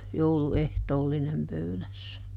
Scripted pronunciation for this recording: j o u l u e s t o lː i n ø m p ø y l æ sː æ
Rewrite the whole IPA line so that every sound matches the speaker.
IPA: j o u l u e h t oː lː i n e m p ø y l æ sː æ